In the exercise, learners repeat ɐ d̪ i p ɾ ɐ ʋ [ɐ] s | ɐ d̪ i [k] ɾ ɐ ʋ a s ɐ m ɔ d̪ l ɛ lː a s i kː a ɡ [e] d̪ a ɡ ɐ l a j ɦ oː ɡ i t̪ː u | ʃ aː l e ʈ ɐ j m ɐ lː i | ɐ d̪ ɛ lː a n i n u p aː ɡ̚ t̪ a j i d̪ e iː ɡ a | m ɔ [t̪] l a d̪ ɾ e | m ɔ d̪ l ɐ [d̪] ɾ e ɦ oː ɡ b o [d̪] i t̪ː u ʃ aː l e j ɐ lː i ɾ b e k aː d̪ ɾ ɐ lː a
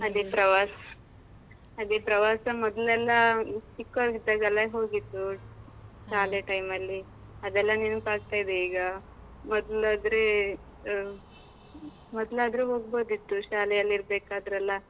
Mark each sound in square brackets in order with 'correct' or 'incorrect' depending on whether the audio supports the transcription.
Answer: incorrect: a, incorrect: p, incorrect: i, incorrect: d̪, correct, correct

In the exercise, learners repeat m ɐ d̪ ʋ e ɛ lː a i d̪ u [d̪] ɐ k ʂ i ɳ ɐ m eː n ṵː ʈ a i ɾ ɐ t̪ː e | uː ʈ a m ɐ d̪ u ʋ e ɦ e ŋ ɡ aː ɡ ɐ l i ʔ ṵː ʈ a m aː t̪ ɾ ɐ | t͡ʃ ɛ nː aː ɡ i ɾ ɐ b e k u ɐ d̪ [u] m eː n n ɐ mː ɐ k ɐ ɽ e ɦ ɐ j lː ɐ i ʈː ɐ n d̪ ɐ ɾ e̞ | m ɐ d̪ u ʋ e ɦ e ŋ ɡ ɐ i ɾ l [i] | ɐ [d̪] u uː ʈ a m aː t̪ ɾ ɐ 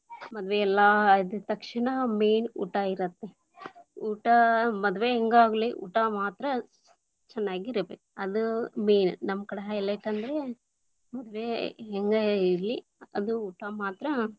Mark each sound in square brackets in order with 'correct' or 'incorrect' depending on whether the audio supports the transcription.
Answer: incorrect: t̪, correct, correct, correct

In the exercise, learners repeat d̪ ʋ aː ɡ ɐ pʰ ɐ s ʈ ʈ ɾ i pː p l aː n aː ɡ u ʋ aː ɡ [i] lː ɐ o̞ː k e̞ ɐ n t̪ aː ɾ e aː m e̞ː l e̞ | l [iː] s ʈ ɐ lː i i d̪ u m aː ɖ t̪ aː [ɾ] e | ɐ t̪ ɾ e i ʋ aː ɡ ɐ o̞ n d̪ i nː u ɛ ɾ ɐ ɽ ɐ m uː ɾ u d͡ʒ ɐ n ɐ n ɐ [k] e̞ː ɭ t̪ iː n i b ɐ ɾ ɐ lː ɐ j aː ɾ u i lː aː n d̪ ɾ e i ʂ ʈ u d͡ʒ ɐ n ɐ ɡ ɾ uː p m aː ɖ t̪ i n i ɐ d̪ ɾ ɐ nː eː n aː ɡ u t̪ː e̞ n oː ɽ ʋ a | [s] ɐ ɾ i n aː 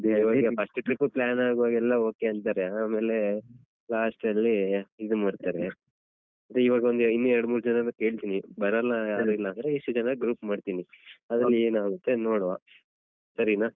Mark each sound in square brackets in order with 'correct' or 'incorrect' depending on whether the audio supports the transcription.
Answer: incorrect: ɛ, incorrect: aː, correct, correct, correct

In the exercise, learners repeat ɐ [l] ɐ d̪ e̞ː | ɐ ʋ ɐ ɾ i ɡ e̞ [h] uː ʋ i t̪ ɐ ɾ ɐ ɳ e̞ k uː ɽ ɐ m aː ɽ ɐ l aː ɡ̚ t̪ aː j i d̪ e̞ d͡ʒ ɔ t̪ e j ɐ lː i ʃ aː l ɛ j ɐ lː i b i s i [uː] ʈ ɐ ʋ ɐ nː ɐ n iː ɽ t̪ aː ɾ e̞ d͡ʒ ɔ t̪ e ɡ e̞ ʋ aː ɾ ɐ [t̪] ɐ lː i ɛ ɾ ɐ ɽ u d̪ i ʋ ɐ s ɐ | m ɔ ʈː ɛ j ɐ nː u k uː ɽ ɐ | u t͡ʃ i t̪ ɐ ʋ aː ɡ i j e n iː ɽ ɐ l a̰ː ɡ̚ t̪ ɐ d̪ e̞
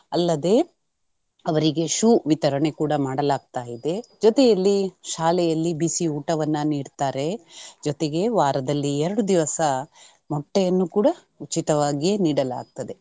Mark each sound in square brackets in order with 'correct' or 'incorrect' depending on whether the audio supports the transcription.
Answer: incorrect: lː, incorrect: ʃ, correct, incorrect: d̪

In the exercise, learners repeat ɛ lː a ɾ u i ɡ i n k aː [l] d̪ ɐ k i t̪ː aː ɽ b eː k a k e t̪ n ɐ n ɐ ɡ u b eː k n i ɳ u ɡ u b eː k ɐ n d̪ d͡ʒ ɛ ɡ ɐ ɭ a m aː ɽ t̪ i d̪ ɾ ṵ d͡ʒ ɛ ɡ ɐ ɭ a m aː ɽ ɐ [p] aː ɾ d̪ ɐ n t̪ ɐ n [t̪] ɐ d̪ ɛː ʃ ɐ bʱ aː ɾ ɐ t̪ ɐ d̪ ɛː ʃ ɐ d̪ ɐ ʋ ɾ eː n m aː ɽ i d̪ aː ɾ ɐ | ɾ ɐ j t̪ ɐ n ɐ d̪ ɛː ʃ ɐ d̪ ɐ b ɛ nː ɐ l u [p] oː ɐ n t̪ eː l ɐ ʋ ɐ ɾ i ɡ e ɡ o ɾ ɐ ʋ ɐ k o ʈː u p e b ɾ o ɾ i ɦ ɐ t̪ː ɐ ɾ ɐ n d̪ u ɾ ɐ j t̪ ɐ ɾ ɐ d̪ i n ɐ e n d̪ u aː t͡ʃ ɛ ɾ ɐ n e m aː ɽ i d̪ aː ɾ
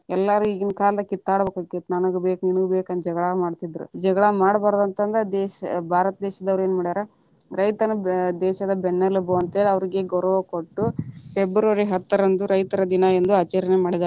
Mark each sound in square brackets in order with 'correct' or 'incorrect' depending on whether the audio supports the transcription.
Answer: correct, incorrect: b, incorrect: d̪, incorrect: b

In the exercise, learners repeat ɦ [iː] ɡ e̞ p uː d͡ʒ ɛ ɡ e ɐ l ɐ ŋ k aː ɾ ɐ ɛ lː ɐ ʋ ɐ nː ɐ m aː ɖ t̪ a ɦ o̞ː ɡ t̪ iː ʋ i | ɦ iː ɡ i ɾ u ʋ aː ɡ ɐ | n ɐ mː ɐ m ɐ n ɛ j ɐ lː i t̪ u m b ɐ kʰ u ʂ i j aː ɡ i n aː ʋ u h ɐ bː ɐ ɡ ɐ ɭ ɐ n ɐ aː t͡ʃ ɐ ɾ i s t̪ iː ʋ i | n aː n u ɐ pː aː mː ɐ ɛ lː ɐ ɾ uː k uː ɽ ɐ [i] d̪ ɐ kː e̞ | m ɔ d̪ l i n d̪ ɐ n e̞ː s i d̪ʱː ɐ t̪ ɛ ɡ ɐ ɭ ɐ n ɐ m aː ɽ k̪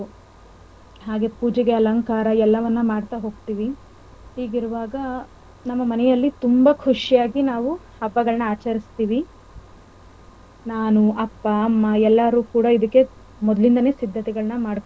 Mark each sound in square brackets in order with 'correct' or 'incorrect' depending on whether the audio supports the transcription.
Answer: incorrect: aː, correct

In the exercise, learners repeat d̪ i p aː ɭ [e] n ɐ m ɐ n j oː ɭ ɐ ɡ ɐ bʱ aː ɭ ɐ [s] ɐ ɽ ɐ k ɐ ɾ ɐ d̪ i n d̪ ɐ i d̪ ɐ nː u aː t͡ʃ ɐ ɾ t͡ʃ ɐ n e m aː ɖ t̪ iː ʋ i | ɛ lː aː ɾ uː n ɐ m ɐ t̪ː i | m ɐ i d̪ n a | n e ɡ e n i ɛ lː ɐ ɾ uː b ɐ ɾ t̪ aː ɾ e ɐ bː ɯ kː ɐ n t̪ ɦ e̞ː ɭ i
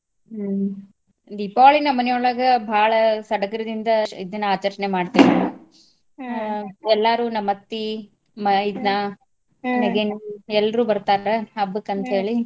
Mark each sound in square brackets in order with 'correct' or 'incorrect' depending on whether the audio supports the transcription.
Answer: incorrect: i, correct

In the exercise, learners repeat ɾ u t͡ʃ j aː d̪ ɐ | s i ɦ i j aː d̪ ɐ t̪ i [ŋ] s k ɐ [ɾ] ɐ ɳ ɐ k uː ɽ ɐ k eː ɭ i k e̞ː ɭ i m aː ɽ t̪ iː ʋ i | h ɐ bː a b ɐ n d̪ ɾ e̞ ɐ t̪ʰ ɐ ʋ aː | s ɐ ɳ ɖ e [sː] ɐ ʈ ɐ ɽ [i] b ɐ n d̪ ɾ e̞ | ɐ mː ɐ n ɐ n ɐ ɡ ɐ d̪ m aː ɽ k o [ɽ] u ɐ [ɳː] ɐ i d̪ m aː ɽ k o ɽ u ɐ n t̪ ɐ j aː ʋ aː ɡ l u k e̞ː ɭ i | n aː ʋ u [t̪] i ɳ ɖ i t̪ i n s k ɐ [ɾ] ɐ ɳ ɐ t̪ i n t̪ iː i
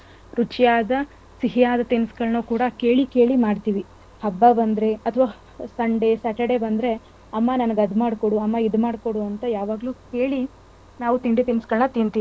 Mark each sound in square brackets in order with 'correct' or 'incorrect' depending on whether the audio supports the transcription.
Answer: incorrect: n, incorrect: ɭ, incorrect: s, incorrect: e, correct, incorrect: mː, correct, incorrect: ɭ

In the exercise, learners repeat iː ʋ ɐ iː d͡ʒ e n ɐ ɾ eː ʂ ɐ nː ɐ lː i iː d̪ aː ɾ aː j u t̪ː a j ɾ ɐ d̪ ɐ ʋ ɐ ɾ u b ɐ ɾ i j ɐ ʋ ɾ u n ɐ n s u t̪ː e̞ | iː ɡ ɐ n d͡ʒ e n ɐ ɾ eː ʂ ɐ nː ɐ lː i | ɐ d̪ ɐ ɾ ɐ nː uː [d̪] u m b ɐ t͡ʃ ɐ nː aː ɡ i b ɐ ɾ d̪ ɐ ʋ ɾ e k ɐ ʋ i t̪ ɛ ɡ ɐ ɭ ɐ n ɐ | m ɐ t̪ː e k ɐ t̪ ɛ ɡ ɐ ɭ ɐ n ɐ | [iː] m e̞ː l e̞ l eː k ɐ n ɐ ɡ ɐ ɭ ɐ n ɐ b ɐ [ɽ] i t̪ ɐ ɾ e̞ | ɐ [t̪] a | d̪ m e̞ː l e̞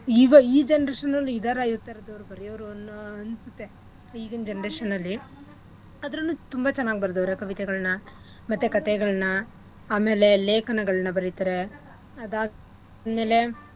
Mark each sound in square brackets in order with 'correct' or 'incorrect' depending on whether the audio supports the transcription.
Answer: incorrect: t̪, incorrect: aː, incorrect: ɾ, incorrect: d̪

